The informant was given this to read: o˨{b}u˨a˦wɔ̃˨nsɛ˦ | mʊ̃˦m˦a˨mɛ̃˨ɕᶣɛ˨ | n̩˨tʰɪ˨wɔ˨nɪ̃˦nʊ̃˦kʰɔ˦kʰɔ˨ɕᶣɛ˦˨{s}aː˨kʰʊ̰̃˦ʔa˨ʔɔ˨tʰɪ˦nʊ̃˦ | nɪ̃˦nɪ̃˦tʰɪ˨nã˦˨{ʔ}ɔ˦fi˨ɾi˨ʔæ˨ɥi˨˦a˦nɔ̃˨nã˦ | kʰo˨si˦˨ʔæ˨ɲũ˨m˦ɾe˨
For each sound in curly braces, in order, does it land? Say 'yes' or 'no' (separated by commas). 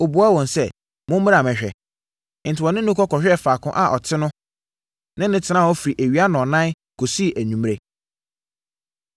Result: yes, no, no